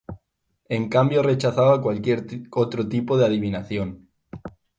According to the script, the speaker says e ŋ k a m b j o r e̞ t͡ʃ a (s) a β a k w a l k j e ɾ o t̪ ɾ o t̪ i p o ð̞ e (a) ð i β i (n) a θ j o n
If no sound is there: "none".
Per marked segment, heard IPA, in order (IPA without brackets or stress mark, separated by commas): θ, a, n